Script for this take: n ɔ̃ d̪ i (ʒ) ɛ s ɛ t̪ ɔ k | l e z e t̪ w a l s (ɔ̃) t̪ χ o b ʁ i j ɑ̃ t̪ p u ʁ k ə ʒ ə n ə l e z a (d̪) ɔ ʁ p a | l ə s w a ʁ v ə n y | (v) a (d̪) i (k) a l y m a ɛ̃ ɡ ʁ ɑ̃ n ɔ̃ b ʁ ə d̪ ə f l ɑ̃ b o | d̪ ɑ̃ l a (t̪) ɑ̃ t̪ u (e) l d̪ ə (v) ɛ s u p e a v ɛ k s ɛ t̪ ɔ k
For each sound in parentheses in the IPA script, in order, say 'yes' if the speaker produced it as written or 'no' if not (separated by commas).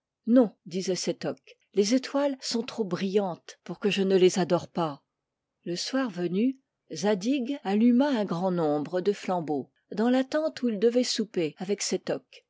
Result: no, yes, yes, no, yes, no, yes, no, yes